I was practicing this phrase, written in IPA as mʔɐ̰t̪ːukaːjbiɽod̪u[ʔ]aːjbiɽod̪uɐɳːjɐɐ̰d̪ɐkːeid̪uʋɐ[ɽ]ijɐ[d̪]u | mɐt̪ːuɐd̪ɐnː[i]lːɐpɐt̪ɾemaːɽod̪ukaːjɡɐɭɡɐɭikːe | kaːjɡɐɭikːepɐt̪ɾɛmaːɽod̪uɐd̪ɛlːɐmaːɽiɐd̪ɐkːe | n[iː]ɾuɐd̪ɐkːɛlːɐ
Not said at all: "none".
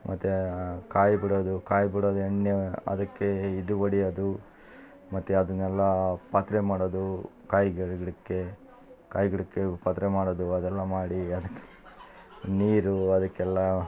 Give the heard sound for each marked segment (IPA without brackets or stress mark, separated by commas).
k, ɽ, d̪, ɛ, iː